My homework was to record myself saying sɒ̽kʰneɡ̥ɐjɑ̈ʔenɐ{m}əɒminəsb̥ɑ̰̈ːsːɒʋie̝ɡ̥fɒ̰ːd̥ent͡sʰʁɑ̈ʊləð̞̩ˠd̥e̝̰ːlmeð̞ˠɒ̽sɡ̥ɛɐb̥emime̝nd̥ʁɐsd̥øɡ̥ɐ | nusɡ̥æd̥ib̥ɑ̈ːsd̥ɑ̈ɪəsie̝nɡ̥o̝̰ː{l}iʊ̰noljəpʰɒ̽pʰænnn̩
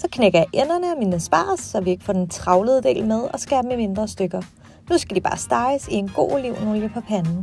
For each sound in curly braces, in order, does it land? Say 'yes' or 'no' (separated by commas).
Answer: no, yes